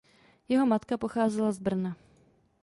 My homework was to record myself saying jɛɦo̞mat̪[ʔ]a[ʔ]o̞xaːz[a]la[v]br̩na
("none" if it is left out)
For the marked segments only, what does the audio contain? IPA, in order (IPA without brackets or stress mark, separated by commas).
k, p, ɛ, z